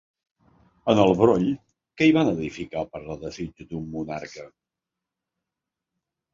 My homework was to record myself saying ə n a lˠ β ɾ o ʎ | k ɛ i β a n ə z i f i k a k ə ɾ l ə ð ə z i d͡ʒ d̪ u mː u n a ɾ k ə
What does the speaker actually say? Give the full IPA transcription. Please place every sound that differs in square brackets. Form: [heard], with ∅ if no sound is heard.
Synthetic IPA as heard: ə n [ə] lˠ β ɾ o ʎ | k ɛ i β a n ə [ð] i f i k a [p] ə ɾ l ə ð ə z i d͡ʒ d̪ u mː u n a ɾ k ə